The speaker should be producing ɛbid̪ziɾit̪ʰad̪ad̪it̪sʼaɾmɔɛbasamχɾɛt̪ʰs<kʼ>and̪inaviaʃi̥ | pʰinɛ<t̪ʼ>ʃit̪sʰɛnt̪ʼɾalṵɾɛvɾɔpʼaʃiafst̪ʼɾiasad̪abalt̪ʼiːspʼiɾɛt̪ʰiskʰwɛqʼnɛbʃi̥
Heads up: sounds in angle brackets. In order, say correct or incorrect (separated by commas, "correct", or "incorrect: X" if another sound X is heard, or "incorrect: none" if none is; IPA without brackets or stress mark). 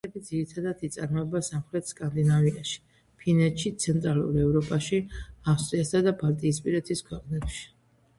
correct, incorrect: t̪